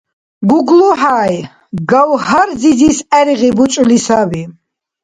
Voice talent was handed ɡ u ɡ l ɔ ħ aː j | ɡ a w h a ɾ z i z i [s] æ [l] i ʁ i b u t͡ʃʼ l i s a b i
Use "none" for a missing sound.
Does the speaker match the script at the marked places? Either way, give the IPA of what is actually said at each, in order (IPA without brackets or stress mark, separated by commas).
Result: s, ɾ